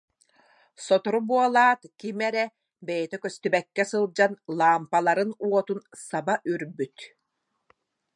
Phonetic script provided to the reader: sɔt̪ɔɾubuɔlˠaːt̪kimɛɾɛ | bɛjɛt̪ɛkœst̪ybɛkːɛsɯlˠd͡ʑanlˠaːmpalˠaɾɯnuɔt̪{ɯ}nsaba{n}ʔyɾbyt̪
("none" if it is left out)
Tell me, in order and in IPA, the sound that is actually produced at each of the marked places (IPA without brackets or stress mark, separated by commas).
u, none